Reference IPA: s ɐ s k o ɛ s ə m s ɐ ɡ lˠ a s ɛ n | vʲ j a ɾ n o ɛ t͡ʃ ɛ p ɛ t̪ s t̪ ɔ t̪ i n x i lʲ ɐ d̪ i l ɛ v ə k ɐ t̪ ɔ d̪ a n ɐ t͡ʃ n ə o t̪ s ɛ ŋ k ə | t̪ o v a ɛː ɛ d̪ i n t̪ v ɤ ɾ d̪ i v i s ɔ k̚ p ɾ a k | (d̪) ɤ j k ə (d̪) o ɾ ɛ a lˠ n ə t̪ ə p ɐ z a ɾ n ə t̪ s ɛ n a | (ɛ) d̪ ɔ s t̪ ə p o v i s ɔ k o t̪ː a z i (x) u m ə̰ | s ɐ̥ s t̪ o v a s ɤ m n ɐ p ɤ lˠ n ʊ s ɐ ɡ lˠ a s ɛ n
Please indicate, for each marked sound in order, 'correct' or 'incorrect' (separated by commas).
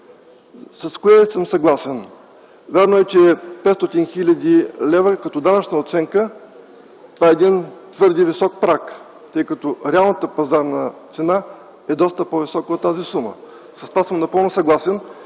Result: incorrect, incorrect, correct, incorrect